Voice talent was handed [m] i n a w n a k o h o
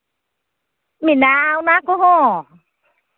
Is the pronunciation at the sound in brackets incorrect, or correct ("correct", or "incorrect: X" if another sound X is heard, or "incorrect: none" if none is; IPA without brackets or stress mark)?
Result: correct